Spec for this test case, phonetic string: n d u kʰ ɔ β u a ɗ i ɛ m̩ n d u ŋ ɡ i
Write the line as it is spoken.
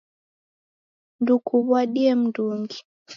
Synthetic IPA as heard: n d u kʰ u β w a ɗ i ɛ m̩ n d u ŋ ɡ i